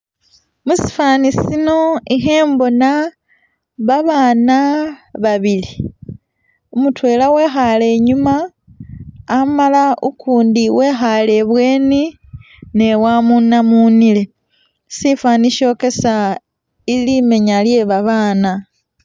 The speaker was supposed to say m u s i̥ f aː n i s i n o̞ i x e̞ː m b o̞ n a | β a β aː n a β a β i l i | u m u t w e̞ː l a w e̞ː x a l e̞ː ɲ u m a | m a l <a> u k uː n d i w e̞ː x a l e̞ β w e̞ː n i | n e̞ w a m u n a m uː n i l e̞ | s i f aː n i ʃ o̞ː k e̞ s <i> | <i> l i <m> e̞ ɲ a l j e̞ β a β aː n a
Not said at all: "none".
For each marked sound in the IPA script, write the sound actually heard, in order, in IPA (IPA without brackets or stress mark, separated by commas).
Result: a, a, i, m